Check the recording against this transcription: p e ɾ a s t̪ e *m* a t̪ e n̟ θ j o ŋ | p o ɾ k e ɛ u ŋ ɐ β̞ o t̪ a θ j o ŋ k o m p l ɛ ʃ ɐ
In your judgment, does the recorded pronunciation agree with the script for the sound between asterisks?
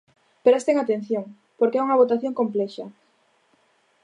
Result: no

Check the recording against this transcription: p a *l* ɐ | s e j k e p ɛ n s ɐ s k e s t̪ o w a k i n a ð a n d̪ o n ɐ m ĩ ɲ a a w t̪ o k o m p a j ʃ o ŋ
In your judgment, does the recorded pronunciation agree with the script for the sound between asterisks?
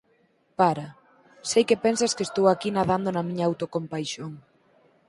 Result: no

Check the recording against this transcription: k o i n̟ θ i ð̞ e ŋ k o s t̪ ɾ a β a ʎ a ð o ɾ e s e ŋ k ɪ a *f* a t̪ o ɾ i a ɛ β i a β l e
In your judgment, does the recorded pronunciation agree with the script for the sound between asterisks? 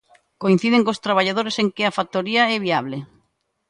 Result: yes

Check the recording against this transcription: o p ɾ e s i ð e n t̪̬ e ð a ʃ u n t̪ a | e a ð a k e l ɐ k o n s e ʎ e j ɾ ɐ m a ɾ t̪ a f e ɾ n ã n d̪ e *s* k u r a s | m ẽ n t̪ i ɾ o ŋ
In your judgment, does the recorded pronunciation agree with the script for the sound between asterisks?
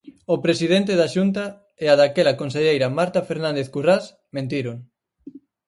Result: no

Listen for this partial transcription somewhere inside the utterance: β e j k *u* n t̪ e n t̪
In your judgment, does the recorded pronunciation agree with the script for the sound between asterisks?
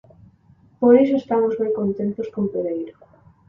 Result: no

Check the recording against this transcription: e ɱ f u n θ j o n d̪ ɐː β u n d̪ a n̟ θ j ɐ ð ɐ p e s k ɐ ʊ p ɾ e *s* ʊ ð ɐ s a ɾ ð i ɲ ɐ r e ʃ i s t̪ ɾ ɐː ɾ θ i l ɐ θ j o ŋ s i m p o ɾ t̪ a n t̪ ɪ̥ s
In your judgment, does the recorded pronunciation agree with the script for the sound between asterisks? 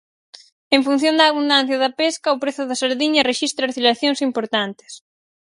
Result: no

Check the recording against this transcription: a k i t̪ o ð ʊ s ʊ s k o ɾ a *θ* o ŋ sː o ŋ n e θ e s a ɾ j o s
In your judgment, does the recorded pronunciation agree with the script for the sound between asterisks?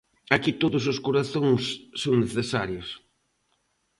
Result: yes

